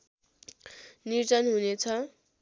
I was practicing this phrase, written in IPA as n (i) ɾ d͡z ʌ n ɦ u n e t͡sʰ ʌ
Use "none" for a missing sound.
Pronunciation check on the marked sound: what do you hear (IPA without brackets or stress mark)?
i